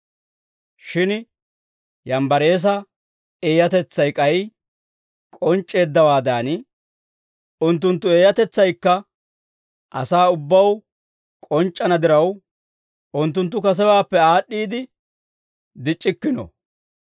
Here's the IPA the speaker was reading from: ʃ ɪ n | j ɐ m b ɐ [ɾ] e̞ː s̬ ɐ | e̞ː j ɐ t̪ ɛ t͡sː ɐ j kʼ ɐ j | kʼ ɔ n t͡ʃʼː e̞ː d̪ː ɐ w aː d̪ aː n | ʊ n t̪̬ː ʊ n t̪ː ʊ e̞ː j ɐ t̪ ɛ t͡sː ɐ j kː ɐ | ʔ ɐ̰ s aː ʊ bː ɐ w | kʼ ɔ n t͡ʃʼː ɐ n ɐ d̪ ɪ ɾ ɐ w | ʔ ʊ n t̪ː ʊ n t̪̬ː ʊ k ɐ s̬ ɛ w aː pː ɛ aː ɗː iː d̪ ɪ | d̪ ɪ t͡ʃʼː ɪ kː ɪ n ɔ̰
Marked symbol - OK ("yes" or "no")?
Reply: yes